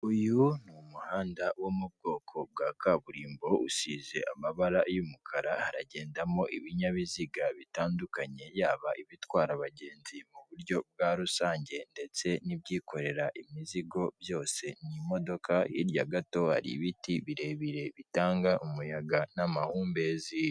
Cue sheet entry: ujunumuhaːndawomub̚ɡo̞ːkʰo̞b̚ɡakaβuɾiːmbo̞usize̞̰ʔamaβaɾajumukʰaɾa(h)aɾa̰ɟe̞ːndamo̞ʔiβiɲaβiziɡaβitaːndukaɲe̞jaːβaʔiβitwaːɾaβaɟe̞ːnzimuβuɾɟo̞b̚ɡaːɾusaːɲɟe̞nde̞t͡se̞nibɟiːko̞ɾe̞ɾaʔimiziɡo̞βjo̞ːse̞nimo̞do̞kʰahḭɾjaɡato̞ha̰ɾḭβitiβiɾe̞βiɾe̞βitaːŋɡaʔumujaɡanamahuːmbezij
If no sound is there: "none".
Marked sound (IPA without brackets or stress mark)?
h